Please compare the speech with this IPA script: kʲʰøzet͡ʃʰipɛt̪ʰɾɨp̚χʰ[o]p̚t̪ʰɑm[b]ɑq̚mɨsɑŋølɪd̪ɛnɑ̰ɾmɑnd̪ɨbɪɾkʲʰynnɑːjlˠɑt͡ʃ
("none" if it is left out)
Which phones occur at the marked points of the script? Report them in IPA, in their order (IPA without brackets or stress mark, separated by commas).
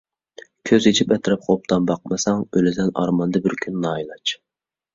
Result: o, b